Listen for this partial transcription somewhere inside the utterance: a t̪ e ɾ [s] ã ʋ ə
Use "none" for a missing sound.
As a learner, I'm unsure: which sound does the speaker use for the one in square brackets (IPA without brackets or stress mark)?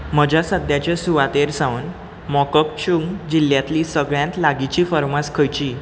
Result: s